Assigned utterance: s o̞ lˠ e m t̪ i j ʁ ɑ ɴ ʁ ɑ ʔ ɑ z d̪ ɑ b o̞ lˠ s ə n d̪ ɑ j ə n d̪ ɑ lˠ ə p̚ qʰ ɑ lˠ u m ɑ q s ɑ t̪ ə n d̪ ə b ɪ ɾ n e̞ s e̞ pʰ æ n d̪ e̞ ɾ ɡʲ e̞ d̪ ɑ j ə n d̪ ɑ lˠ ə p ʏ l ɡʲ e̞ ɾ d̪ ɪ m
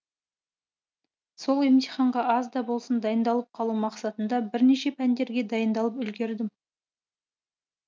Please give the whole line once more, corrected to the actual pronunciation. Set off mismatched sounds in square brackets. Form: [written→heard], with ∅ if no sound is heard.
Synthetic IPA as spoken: s o̞ lˠ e m t̪ i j [ʁ→χ] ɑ ɴ ʁ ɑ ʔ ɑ z d̪ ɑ b o̞ lˠ s ə n d̪ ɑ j ə n d̪ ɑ lˠ ə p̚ qʰ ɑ lˠ u m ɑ q s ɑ t̪ ə n d̪ [ə→ɑ] b ɪ ɾ n e̞ [s→ʃ] e̞ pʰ æ n d̪ e̞ ɾ ɡʲ e̞ d̪ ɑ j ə n d̪ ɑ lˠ ə p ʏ l ɡʲ e̞ ɾ d̪ ɪ m